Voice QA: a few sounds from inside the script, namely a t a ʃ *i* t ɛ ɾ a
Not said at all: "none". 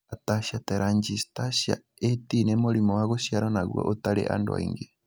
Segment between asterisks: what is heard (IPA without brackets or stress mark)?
a